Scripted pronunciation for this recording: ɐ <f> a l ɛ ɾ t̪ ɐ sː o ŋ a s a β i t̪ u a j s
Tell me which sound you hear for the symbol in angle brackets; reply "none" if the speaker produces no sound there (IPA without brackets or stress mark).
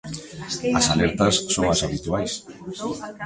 s